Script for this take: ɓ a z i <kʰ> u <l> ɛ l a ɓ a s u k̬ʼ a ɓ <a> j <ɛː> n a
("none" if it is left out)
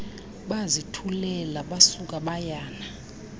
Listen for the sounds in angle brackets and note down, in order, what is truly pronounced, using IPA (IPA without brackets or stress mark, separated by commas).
tʰ, l, a, aː